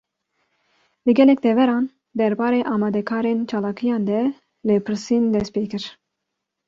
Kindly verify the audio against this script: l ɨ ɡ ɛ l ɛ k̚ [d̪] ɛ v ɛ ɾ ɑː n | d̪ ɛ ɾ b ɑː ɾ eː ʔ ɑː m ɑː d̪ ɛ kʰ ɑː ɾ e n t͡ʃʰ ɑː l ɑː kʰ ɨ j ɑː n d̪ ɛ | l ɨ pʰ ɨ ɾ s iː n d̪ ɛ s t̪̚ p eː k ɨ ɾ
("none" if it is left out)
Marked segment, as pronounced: d̪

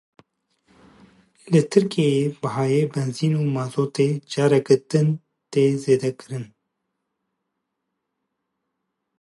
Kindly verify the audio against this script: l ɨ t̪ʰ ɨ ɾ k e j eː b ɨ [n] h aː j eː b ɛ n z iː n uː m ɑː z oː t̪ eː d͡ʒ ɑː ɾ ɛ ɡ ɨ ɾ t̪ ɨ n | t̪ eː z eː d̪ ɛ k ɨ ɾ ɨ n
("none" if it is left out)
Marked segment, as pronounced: none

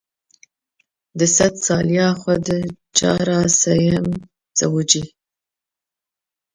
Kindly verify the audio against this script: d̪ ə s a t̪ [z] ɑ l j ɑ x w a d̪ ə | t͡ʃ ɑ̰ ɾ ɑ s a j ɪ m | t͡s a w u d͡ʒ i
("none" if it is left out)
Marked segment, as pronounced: s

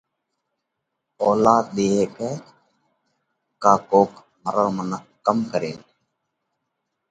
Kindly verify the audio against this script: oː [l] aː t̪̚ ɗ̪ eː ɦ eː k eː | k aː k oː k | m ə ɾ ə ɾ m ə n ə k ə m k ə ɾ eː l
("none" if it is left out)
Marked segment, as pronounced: l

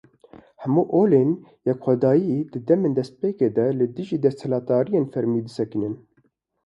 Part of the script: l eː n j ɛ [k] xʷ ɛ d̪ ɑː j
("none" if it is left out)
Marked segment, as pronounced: k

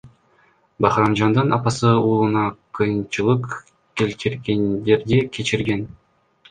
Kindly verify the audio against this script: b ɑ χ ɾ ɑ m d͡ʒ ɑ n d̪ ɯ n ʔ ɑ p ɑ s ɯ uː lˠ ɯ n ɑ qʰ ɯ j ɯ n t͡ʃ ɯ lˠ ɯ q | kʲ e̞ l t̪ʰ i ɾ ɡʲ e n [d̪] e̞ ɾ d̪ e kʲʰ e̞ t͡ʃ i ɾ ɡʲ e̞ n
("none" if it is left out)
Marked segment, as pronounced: d̪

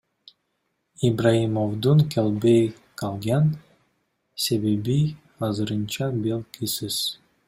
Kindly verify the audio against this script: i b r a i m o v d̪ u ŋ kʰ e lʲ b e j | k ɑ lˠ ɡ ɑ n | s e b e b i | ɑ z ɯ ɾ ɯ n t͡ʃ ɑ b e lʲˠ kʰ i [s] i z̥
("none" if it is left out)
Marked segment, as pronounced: s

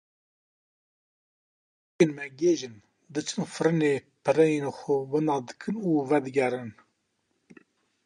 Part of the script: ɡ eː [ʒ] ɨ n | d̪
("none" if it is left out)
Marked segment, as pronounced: ʒ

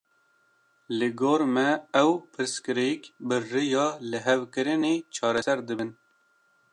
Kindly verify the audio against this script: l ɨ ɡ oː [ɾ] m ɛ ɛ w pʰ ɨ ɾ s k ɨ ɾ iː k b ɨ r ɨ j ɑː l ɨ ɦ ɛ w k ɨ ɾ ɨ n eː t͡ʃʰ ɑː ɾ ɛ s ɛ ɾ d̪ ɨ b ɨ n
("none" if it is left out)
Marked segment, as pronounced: ɾ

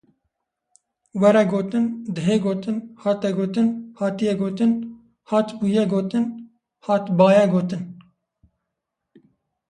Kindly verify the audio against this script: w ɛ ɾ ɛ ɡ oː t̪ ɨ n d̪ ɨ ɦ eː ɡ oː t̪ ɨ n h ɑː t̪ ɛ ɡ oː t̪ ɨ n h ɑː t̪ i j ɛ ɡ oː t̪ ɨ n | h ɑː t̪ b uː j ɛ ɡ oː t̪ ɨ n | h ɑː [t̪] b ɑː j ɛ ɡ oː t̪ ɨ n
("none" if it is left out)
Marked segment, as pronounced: t̪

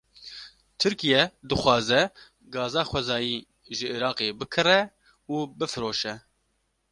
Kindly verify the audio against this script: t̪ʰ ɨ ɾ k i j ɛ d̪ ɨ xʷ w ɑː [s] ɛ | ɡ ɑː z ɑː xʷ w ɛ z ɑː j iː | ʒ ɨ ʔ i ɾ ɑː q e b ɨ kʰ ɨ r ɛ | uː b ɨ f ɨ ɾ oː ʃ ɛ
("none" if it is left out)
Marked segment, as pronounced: z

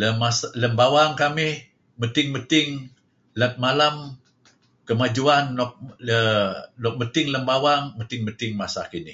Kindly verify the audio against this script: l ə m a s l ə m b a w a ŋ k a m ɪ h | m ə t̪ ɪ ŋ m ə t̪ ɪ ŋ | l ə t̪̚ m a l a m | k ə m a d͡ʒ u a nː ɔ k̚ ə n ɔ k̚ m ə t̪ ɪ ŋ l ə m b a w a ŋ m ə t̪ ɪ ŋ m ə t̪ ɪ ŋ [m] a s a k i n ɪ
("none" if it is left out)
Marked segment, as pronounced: m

